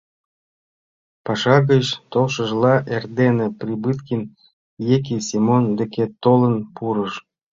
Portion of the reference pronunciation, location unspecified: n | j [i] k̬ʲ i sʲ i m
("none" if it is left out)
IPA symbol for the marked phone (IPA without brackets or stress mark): e